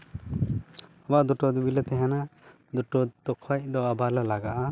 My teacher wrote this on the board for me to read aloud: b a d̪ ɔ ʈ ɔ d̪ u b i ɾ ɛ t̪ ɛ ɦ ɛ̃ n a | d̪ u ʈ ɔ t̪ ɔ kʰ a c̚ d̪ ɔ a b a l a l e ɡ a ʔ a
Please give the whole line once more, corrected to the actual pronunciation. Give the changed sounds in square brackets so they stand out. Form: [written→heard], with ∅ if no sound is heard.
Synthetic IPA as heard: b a d̪ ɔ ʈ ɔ d̪ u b i [ɾ→l] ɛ t̪ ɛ ɦ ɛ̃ n a | d̪ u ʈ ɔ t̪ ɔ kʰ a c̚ d̪ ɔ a b a l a l [e→a] ɡ a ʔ a